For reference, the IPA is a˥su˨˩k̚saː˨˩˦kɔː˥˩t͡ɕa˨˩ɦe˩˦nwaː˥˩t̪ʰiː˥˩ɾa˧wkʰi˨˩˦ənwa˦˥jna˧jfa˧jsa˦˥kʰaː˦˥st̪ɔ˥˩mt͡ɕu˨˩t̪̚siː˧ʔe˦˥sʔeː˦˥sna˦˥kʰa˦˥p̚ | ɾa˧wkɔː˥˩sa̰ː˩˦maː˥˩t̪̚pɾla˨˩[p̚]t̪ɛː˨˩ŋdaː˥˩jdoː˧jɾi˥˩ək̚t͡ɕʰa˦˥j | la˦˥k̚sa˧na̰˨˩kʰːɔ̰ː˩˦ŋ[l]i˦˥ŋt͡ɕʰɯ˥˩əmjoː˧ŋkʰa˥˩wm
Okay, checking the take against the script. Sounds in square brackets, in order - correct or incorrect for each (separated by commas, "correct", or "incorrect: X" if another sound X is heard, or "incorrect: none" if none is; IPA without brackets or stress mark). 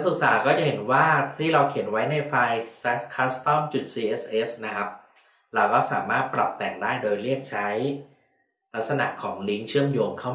correct, correct